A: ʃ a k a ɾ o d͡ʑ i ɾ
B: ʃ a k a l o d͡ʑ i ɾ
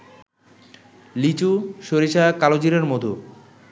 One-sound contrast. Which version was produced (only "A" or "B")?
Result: B